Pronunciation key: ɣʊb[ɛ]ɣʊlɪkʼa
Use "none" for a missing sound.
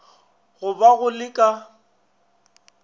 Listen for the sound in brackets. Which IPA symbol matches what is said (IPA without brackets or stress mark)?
a